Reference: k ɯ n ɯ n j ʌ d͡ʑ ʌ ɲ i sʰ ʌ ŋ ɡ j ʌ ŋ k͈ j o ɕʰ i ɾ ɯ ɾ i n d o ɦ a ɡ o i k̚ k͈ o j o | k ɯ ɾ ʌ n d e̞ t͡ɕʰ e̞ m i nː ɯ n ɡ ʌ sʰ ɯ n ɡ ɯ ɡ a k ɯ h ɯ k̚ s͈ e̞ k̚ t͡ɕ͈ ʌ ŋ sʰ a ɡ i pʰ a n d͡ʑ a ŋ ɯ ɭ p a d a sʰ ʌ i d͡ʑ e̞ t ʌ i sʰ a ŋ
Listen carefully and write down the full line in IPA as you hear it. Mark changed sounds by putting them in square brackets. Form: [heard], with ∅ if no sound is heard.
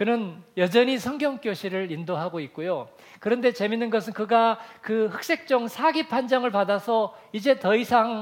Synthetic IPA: k ɯ n ɯ n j ʌ d͡ʑ ʌ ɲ i sʰ ʌ ŋ ɡ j ʌ ŋ k͈ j o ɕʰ i ɾ ɯ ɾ i n d o ɦ a ɡ o i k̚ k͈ o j o | k ɯ ɾ ʌ n d e̞ [t͡ɕ] e̞ m i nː ɯ n ɡ ʌ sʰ ɯ n [k] ɯ ɡ a k ɯ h ɯ k̚ s͈ e̞ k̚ t͡ɕ͈ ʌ ŋ sʰ a ɡ i pʰ a n d͡ʑ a ŋ ɯ ɭ p a d a sʰ ʌ i d͡ʑ e̞ t ʌ i sʰ a ŋ